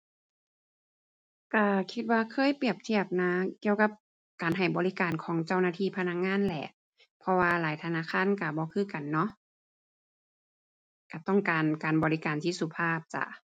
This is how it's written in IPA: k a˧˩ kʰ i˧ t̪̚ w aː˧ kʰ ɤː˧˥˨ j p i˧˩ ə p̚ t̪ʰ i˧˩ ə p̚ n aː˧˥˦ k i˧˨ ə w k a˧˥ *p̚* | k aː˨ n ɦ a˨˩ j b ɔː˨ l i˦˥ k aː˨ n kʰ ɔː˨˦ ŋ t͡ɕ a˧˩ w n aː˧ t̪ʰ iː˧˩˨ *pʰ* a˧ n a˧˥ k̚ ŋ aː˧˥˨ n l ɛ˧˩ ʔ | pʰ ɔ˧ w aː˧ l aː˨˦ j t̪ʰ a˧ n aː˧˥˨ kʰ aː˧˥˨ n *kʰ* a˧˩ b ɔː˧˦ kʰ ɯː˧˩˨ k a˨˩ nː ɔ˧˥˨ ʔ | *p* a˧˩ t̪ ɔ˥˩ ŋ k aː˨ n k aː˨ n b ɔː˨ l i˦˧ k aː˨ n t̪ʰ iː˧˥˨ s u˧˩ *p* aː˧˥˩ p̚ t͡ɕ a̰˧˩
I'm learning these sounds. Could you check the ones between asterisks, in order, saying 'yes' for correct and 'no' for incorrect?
yes, yes, no, no, no

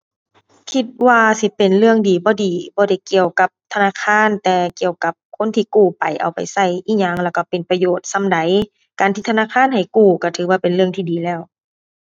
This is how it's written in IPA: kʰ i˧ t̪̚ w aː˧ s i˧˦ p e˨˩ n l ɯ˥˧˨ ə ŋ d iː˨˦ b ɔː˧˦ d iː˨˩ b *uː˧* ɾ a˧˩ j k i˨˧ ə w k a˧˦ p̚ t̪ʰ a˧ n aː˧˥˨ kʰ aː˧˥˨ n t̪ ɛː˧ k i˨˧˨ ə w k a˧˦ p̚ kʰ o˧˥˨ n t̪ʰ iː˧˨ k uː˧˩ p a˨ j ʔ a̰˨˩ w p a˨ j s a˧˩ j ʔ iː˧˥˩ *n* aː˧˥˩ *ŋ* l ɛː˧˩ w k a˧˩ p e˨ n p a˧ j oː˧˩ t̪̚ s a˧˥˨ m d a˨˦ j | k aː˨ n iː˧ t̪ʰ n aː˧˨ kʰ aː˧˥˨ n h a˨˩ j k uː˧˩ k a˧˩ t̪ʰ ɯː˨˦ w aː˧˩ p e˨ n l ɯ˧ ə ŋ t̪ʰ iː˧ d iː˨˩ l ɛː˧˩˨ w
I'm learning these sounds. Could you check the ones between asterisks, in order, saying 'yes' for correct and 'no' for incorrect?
no, no, yes

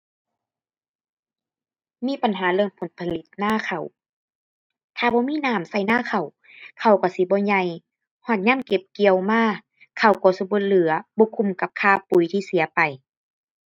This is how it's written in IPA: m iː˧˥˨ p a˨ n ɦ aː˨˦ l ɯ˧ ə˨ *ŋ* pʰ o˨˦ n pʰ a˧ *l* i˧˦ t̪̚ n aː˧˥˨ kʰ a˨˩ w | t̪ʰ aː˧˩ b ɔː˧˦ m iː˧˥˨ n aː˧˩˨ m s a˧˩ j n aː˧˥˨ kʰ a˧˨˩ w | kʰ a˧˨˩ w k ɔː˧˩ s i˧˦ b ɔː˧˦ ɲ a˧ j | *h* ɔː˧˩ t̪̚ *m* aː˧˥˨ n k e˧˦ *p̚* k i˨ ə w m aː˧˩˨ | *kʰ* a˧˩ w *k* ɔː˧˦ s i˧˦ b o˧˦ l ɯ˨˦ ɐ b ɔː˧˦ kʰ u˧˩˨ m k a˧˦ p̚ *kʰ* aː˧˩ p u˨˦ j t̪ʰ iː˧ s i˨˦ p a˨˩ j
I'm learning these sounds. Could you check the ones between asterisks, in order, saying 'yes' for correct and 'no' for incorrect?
yes, yes, yes, no, yes, yes, yes, yes

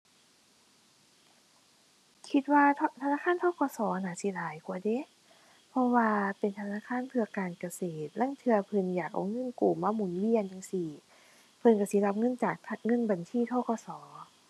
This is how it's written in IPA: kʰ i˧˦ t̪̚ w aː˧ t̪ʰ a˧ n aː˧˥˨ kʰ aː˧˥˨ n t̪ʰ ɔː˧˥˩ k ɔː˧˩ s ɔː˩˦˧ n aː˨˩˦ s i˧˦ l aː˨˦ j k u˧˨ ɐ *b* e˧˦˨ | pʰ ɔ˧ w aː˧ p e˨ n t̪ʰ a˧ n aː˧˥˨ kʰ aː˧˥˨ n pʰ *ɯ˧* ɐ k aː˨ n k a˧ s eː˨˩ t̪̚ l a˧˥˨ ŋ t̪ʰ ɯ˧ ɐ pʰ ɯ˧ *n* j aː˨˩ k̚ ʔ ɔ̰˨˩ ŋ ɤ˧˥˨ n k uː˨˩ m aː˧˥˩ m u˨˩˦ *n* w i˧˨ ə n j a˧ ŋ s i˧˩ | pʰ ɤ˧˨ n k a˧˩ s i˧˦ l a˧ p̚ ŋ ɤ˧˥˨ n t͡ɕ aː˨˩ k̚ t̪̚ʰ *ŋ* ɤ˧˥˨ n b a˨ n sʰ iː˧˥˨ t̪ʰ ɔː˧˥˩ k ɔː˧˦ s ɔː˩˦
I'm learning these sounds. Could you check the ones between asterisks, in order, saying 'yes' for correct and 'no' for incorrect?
no, yes, yes, yes, yes

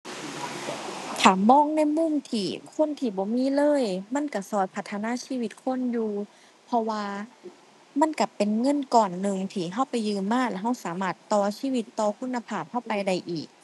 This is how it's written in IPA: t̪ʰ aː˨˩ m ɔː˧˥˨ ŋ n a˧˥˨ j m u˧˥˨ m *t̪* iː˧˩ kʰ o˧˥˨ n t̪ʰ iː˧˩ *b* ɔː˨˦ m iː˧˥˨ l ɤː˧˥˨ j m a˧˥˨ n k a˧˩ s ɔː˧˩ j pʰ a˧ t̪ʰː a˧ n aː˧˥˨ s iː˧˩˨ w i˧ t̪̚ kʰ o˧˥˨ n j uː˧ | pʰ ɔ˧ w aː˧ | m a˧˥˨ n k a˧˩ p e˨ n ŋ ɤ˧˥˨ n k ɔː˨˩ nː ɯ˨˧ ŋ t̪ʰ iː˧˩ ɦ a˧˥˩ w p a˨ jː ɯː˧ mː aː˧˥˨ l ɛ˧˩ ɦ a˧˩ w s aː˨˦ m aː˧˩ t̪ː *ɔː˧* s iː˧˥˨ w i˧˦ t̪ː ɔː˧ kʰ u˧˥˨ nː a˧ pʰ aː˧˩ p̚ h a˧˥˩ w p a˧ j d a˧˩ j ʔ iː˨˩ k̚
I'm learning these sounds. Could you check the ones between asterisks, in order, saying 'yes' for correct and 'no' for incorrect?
no, yes, yes

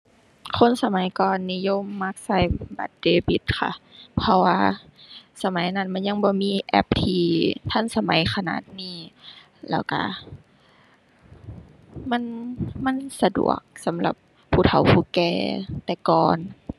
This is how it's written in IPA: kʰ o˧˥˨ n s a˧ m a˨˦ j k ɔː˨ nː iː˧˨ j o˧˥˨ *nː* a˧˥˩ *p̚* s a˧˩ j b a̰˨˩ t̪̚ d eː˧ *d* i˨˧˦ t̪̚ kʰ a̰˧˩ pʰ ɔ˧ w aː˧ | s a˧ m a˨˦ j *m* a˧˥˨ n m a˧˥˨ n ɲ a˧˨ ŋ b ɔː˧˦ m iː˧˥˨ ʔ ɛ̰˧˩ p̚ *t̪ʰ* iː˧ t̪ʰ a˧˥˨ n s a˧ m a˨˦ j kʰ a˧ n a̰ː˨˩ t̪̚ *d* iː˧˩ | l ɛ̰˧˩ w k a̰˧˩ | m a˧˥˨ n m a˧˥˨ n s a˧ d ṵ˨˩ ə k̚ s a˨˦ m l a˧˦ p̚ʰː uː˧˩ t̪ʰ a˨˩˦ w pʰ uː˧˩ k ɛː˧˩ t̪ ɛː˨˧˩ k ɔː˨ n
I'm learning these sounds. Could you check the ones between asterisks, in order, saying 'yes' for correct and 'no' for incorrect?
no, no, no, no, yes, no

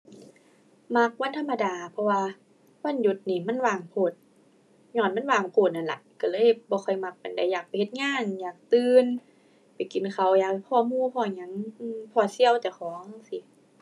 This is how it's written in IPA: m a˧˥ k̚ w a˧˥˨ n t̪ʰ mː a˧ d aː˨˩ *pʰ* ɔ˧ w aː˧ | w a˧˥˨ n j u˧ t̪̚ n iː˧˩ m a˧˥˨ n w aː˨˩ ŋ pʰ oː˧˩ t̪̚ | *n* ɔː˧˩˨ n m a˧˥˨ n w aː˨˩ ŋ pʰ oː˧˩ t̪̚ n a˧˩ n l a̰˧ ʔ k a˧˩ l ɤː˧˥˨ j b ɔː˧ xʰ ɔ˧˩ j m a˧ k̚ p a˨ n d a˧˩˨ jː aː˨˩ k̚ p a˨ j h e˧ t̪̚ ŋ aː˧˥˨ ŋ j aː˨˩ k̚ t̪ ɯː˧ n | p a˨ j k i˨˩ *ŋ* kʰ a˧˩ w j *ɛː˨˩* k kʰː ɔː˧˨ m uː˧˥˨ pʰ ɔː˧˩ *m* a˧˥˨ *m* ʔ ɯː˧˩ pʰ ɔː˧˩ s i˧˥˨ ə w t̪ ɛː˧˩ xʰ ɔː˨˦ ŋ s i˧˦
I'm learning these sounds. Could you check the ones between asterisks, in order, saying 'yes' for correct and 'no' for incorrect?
yes, no, no, no, no, no

